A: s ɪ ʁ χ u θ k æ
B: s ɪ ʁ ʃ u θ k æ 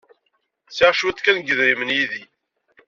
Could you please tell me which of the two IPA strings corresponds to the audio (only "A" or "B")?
B